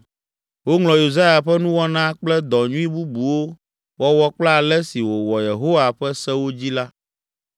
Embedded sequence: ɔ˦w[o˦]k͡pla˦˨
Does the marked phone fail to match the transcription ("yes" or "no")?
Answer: yes